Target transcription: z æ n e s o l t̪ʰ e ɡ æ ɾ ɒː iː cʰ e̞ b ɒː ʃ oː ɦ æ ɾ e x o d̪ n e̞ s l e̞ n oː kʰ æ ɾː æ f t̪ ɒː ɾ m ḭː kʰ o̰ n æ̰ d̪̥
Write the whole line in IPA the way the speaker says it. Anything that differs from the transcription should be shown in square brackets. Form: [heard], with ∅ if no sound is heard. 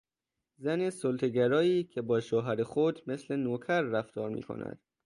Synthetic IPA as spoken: z æ n e s o l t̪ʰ e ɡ æ ɾ ɒː iː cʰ e̞ b ɒː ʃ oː ɦ æ ɾ e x o d̪ [m] e̞ s l e̞ n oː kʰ æ ɾː æ f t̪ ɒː ɾ m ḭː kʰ o̰ n æ̰ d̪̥